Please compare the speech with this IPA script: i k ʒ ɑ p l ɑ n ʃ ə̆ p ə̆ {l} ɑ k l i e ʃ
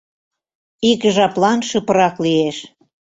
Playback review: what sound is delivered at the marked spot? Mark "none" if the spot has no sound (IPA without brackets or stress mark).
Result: ɾ